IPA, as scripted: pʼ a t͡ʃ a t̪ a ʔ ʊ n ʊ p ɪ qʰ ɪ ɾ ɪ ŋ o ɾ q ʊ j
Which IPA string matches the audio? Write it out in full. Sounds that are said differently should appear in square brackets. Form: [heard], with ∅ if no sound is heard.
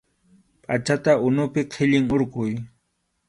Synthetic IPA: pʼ a t͡ʃ a t̪ a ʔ ʊ n ʊ p ɪ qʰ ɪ [ʎ] ɪ ŋ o ɾ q ʊ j